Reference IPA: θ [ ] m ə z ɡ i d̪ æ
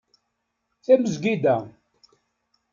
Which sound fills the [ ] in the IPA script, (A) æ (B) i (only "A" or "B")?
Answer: A